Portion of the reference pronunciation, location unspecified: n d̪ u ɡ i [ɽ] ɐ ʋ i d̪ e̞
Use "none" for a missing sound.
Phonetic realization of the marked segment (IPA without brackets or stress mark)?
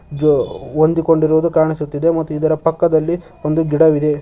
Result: ɽ